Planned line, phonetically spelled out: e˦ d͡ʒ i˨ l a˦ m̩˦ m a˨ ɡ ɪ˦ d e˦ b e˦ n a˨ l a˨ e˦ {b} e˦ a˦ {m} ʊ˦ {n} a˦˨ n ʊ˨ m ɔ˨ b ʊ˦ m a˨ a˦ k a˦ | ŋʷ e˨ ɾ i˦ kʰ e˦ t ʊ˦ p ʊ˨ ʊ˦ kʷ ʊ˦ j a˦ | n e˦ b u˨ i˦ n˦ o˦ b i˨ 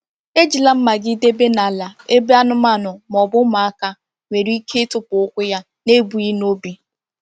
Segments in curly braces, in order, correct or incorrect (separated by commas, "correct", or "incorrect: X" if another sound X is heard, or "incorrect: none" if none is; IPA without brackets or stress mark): correct, incorrect: n, incorrect: m